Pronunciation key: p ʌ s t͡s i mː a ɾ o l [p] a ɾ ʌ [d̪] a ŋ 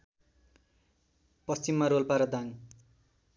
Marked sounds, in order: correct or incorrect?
correct, correct

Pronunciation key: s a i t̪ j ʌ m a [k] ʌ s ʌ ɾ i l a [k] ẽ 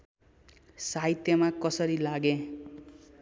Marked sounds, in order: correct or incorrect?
correct, incorrect

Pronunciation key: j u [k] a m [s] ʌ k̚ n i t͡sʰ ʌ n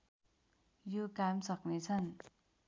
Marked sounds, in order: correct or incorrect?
correct, correct

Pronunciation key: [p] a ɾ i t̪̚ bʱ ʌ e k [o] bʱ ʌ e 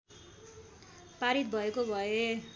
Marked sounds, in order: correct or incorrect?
correct, correct

